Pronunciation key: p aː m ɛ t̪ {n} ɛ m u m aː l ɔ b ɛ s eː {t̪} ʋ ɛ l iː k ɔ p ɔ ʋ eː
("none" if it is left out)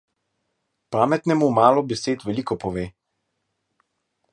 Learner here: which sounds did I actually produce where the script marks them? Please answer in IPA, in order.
n, t̪

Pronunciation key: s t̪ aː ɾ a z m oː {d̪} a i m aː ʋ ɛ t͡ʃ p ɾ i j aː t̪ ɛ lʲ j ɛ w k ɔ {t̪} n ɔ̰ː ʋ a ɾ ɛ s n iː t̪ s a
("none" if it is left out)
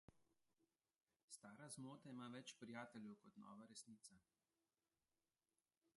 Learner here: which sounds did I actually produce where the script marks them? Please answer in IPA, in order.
t̪, t̪

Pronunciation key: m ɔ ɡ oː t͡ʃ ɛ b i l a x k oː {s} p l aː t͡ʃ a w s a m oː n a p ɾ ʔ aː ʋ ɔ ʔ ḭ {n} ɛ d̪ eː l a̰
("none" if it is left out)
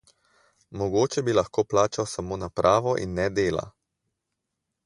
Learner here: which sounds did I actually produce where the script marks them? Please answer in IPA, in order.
none, nː

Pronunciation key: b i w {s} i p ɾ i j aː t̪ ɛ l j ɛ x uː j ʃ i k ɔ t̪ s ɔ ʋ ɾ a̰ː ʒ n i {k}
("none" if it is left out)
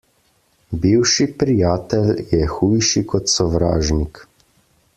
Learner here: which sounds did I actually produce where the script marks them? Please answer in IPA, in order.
ʃ, k

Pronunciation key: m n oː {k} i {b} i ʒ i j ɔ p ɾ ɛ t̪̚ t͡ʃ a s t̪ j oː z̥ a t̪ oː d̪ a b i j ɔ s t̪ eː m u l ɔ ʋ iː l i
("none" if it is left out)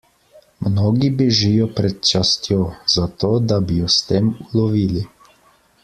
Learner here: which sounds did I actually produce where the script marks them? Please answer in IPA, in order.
ɡ, b

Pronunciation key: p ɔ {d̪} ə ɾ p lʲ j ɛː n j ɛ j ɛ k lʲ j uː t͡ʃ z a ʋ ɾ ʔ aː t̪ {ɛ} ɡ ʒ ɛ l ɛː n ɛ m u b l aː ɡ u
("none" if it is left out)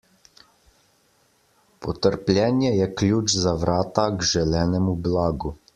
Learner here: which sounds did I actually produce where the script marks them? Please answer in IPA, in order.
t̪, a

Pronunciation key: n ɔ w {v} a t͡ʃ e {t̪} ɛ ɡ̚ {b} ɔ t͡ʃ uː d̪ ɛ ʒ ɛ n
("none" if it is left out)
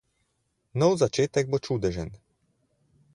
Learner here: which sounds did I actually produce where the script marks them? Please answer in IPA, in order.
z, t̪, b

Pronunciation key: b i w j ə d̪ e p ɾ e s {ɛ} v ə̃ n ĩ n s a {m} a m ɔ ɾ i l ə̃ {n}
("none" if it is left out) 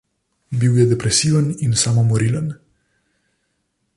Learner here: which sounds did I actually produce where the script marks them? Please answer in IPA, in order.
i, m, n

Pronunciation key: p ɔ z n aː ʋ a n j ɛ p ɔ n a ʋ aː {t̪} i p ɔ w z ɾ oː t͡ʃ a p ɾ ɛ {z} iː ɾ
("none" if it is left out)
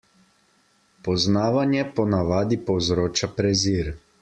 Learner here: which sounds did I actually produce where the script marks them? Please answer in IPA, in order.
d̪, z

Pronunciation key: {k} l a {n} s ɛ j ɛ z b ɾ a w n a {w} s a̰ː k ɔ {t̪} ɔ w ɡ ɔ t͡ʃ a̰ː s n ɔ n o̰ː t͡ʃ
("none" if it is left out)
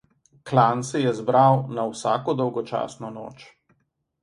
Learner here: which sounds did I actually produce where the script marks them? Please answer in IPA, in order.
k, n, w, d̪

